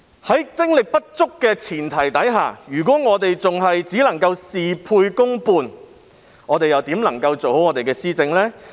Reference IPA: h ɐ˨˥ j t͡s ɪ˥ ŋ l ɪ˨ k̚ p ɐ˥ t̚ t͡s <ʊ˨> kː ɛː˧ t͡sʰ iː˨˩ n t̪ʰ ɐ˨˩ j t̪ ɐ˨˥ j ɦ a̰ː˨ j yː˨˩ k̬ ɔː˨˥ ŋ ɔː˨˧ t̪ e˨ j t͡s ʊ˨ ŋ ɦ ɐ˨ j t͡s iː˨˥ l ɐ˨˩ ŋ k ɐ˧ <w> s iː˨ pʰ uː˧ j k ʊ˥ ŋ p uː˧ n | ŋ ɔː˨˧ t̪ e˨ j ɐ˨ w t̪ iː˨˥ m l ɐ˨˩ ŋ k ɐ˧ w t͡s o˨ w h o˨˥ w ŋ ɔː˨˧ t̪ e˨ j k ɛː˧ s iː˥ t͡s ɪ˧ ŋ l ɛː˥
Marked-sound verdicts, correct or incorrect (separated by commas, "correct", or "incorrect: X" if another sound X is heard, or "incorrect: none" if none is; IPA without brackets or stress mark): incorrect: ʊ˥, correct